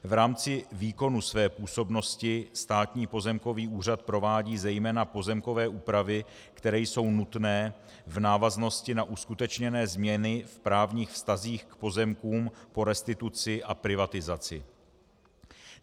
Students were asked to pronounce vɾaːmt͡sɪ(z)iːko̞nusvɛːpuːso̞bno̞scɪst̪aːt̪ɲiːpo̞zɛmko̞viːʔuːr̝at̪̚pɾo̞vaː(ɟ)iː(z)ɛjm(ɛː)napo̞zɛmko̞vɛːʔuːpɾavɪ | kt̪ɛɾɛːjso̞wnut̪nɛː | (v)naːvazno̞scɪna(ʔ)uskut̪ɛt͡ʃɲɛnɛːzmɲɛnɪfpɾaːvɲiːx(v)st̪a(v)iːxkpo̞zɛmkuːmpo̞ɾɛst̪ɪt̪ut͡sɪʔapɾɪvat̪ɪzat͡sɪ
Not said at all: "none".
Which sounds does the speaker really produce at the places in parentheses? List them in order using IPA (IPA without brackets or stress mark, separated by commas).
v, ɟ, z, ɛː, v, ʔ, f, z